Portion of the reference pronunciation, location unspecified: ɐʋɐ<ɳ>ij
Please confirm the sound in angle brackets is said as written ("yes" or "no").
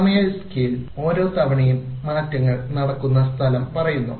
yes